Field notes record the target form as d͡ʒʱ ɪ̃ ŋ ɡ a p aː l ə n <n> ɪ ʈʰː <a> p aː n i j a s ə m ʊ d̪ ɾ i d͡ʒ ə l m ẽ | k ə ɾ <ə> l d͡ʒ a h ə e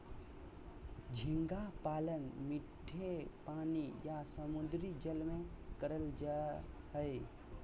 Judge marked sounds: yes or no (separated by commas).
no, no, yes